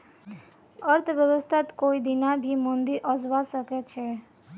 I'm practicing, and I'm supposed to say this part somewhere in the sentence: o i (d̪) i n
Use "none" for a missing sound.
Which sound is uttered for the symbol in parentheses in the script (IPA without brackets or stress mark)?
d̪